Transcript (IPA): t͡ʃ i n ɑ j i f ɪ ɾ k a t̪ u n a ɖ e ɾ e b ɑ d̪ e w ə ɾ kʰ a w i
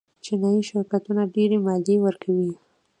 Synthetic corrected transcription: t͡ʃ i n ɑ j i ʃ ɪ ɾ k a t̪ u n a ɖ e ɾ e m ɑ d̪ e w ə ɾ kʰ a w i